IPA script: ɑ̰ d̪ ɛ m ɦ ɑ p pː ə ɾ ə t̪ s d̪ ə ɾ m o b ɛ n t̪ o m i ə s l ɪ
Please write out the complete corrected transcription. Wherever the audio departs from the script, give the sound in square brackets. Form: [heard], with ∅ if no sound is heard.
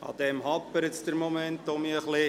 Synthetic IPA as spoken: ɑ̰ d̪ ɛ m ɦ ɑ p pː ə ɾ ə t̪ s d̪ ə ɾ m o [m] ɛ n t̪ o m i ə [χ] l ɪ